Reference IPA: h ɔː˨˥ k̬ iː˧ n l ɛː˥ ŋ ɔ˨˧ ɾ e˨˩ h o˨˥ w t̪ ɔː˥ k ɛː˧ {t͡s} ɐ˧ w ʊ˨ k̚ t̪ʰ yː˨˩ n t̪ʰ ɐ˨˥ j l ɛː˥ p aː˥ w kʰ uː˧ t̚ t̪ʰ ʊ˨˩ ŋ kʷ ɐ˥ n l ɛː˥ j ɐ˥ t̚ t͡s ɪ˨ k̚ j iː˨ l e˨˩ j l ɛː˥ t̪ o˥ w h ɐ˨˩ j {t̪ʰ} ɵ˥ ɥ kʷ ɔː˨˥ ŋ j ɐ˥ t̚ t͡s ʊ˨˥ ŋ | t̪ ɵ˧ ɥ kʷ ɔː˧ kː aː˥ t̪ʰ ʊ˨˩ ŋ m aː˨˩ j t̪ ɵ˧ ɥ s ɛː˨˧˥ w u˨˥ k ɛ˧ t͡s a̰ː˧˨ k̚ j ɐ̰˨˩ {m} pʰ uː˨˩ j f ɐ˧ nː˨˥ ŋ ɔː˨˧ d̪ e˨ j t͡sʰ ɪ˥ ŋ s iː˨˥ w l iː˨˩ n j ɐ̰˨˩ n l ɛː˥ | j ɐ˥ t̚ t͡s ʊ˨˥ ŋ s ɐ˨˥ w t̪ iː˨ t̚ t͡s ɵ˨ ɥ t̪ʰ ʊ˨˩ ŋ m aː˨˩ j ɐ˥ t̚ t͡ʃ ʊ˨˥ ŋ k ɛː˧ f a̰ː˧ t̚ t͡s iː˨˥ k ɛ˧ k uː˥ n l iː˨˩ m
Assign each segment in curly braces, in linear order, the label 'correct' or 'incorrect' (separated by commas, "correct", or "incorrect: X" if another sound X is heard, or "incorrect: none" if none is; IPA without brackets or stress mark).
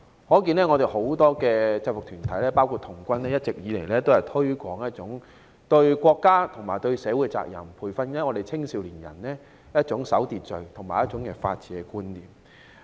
correct, correct, correct